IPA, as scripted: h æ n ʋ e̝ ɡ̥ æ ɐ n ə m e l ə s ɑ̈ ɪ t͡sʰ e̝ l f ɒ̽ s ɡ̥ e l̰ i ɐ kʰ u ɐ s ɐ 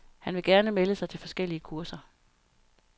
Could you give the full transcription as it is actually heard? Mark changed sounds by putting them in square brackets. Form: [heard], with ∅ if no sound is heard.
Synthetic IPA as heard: h æ n ʋ e̝ ɡ̥ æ ɐ n ə m e l ə s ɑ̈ ɪ t͡sʰ e̝ l f ɒ̽ s ɡ̥ e l̰ i [ə] kʰ u ɐ s ɐ